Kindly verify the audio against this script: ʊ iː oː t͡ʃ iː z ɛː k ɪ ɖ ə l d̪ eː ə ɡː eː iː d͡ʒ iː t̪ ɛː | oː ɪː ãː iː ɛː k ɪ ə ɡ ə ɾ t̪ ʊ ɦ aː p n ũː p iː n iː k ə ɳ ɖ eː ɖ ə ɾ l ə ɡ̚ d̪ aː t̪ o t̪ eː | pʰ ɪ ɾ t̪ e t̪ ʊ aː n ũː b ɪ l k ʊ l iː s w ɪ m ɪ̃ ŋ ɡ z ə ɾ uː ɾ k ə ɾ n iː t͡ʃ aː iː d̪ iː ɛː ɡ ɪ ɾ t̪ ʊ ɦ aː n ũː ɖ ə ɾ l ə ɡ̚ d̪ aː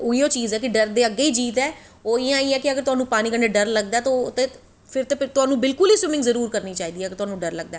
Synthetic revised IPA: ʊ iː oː t͡ʃ iː z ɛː k ɪ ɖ ə ɾ d̪ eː ə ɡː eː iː d͡ʒ iː t̪ ɛː | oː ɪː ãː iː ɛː k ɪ ə ɡ ə ɾ t̪ ʊ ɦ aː n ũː p aː n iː k ə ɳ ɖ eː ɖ ə ɾ l ə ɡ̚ d̪ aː t̪ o t̪ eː | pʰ ɪ ɾ t̪ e t̪ ʊ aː n ũː b ɪ l k ʊ l iː s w ɪ m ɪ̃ ŋ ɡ z ə ɾ uː ɾ k ə ɾ n iː t͡ʃ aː iː d̪ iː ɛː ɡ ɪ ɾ t̪ ʊ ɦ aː n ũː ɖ ə ɾ l ə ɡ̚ d̪ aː